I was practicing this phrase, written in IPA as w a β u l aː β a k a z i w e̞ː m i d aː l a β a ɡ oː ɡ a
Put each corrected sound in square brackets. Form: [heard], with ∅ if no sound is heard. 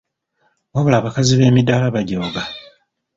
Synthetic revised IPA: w a β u l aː β a k a z i [β] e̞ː m i d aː l a β a [ɟ] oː ɡ a